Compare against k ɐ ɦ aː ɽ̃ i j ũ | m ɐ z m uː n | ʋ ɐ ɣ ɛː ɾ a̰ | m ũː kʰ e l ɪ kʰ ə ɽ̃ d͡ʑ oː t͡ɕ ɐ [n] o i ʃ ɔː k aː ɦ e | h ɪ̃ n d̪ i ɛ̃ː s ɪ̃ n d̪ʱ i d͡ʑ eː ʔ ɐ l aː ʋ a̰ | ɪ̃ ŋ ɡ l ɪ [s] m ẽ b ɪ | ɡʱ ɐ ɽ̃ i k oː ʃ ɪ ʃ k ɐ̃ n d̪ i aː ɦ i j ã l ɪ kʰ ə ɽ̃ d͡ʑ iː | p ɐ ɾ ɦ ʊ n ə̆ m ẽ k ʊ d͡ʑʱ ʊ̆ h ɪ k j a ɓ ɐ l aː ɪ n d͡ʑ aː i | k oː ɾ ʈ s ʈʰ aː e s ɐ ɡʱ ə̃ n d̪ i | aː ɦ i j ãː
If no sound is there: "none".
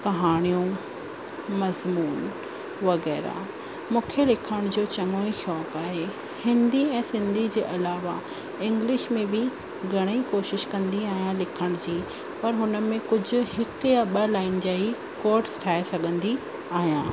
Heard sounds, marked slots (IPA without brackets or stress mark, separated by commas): ŋ, ʃ